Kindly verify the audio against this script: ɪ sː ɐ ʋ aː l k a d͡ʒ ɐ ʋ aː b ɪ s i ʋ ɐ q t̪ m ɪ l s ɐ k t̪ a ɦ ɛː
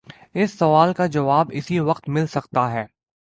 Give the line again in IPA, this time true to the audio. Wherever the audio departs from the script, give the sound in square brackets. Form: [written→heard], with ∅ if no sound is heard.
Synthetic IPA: ɪ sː ɐ ʋ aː l k a d͡ʒ ɐ ʋ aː b ɪ s i ʋ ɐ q t̪ m ɪ l s ɐ k t̪ a ɦ ɛː